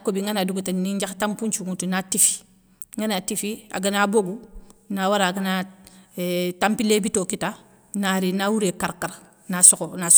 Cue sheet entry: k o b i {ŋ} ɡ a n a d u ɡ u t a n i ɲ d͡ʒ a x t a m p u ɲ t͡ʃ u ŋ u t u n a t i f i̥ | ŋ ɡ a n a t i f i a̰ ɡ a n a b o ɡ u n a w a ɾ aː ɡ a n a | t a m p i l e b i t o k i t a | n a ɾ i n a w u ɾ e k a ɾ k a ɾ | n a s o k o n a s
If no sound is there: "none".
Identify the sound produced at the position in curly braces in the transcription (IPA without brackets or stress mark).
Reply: ŋ